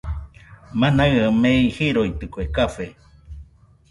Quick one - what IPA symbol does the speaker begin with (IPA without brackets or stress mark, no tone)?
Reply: m